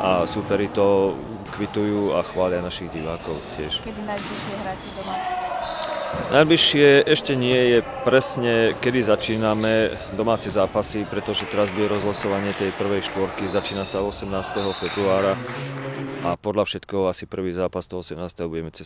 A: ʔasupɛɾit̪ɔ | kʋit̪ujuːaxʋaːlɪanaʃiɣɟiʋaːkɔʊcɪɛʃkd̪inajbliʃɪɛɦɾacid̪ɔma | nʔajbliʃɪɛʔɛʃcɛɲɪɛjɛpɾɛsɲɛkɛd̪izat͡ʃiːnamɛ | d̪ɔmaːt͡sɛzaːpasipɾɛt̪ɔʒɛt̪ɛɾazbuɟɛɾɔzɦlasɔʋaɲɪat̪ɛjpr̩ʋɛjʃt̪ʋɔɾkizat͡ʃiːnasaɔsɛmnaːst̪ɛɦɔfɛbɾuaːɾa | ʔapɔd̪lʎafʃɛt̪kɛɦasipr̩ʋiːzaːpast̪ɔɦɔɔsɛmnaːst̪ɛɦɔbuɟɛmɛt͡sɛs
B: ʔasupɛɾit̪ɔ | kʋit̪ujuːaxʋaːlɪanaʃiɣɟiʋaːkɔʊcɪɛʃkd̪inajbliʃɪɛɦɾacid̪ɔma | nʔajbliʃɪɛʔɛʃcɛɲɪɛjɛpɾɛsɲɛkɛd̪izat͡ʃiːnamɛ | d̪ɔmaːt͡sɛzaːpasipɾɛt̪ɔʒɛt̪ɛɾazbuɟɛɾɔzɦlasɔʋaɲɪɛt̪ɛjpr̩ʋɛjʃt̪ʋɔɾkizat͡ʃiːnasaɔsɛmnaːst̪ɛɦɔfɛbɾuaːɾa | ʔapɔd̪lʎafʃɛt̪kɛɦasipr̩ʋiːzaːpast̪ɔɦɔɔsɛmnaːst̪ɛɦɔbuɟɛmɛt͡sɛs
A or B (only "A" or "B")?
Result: B